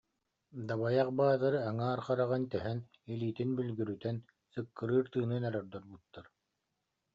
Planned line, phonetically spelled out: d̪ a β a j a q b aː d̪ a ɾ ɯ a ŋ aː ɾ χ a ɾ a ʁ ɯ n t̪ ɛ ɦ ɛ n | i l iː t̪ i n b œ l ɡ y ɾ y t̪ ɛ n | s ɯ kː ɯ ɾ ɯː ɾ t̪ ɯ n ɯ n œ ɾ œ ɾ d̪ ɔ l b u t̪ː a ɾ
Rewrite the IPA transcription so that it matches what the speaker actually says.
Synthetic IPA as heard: d̪ a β a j a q b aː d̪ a ɾ ɯ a ŋ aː ɾ χ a ɾ a ʁ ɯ n t̪ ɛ ɦ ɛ n | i l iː t̪ i n b y l ɡ y ɾ y t̪ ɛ n | s ɯ kː ɯ ɾ ɯː ɾ t̪ ɯː n ɯ n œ ɾ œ ɾ d̪ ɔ ɾ b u t̪ː a ɾ